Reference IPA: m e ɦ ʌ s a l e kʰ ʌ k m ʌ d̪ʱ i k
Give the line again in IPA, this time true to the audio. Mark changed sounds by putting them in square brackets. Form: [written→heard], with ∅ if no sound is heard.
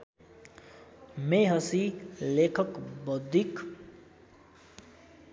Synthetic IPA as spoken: m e ɦ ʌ s [a→i] l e kʰ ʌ k [m→b] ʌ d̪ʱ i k